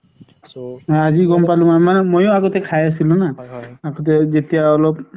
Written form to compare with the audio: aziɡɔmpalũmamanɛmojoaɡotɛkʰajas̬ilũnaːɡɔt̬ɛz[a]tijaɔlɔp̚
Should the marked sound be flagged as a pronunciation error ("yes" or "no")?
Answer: yes